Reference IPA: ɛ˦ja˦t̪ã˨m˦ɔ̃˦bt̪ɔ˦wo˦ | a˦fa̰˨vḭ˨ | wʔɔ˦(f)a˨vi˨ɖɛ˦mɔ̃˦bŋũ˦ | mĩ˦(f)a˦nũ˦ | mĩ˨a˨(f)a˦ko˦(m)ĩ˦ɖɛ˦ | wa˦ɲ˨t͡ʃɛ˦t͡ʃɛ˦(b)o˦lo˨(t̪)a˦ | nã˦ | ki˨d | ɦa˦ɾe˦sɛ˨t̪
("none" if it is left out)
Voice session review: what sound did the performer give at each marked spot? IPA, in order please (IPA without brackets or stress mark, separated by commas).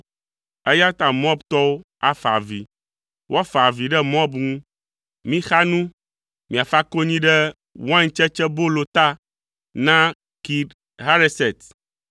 f, x, f, ɲ, b, t̪